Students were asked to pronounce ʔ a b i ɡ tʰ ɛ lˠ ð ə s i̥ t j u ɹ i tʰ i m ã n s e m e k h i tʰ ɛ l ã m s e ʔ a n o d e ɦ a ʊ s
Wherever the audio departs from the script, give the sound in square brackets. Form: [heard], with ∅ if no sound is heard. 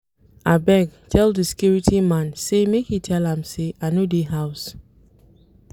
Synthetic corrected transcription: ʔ a b [ɛ] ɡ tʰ ɛ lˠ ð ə s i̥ [k] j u ɹ i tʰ i m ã n s e m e k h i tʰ ɛ l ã m s e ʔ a n o d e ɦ a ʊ s